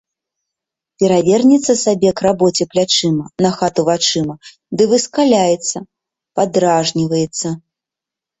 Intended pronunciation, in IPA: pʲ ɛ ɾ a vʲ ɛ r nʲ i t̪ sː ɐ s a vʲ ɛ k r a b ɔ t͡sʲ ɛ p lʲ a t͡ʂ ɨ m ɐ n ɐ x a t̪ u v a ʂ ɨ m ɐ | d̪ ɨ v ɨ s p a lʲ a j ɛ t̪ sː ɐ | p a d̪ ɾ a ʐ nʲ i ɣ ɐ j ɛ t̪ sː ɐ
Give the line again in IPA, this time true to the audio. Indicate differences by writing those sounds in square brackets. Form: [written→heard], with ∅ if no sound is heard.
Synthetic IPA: pʲ ɛ ɾ a vʲ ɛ r nʲ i t̪ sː ɐ s a [vʲ→bʲ] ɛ k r a b ɔ t͡sʲ ɛ p lʲ a t͡ʂ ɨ m ɐ n ɐ x a t̪ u v a [ʂ→t͡ʂ] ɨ m ɐ | d̪ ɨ v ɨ s [p→k] a lʲ a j ɛ t̪ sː ɐ | p a d̪ ɾ a ʐ nʲ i [ɣ→v] ɐ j ɛ t̪ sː ɐ